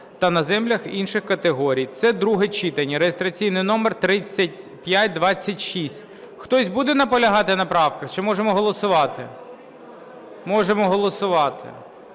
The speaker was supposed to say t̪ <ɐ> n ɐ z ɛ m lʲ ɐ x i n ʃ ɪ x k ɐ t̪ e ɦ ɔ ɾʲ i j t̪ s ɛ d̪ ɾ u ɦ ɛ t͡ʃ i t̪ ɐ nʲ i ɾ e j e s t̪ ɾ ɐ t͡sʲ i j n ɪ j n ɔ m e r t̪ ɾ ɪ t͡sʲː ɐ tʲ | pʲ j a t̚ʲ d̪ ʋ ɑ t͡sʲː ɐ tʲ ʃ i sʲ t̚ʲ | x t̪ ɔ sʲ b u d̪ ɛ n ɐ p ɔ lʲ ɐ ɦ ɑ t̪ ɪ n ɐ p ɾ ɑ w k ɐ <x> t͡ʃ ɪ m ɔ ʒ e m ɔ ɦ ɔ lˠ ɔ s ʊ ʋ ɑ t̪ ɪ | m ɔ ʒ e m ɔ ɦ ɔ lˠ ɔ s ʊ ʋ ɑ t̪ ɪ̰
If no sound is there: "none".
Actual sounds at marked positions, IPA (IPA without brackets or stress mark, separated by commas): ɐ, x